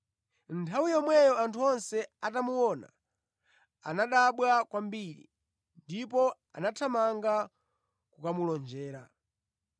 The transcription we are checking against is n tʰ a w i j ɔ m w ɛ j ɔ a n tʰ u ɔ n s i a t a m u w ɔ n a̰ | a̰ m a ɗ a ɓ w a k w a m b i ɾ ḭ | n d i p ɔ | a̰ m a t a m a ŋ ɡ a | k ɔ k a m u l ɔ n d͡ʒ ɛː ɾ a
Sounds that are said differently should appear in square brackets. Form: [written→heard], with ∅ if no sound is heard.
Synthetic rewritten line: n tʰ a w i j ɔ m w ɛ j ɔ a n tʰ u ɔ n s [i→ɛ] a t a m u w ɔ n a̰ | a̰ [m→n] a ɗ a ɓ w a k w a m b i ɾ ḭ | n d i p ɔ | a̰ [m→n] a [t→tʰ] a m a ŋ ɡ a | k [ɔ→u] k a m u l ɔ n d͡ʒ ɛː ɾ a